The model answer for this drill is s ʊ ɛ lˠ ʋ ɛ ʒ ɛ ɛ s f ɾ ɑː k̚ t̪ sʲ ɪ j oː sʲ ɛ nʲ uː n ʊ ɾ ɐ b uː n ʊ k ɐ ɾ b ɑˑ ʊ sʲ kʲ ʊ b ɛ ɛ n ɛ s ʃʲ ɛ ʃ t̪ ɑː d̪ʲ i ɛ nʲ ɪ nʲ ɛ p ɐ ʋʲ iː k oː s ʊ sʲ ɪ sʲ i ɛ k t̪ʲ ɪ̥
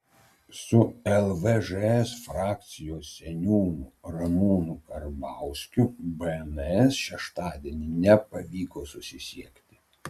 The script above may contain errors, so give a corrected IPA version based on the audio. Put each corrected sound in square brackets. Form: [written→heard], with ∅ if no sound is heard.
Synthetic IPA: s ʊ ɛ lˠ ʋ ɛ ʒ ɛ ɛ s f ɾ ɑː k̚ t̪ sʲ ɪ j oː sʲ ɛ nʲ uː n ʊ ɾ ɐ [b→m] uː n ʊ k ɐ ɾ b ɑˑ ʊ sʲ kʲ ʊ b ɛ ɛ n ɛ s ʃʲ ɛ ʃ t̪ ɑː d̪ʲ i ɛ nʲ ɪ nʲ ɛ p ɐ ʋʲ iː k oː s ʊ sʲ ɪ sʲ i ɛ k t̪ʲ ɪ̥